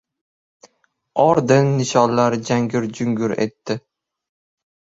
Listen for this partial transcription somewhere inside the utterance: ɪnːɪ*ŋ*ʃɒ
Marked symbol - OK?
no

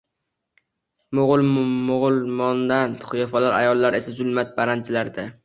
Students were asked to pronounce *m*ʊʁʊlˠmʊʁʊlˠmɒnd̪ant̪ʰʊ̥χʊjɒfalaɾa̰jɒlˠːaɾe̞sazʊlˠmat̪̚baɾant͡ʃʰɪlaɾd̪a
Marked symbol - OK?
yes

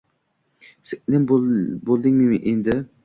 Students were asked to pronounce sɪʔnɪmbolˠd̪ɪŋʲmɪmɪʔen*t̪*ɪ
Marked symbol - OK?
no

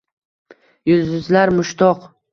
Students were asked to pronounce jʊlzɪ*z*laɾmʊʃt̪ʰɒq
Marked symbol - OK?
yes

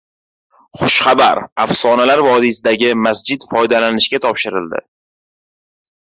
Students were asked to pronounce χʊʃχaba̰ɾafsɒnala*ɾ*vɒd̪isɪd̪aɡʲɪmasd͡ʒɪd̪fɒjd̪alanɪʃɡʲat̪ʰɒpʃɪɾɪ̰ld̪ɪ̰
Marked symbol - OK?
yes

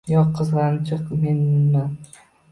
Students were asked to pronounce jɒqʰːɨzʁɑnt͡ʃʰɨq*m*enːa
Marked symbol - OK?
yes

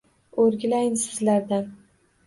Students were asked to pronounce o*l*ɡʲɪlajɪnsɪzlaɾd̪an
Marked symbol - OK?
no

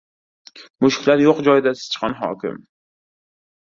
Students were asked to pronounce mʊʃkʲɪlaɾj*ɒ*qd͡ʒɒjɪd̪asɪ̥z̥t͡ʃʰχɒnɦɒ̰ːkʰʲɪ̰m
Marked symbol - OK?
no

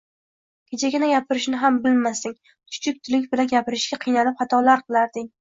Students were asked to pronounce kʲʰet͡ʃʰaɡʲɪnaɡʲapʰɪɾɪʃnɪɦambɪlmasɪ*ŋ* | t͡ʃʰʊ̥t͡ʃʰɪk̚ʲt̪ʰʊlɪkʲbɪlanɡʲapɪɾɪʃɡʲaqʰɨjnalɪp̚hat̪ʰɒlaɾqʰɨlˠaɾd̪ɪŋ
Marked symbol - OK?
yes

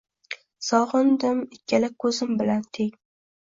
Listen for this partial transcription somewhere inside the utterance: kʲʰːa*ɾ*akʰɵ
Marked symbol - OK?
no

